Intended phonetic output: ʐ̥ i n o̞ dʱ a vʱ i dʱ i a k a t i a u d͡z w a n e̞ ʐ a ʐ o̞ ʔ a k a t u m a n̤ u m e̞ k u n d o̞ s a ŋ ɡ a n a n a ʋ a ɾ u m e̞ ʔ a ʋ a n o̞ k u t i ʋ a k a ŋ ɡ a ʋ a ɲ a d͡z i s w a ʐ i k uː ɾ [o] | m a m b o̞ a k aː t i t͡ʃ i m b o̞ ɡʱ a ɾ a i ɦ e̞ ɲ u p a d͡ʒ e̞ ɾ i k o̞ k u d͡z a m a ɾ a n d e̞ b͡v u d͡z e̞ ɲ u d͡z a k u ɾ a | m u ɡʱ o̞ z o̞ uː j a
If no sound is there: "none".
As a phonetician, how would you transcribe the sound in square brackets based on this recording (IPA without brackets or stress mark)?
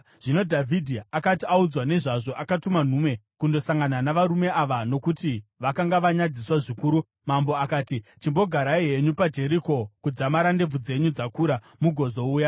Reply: u